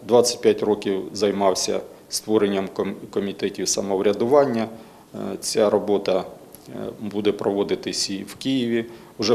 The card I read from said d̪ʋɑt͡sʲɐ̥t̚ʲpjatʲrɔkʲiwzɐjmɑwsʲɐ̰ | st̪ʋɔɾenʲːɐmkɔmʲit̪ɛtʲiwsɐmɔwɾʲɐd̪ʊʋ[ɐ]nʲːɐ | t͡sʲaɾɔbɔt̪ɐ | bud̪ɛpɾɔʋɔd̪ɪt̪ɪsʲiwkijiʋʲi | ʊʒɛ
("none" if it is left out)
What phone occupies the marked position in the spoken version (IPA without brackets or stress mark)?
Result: ɑ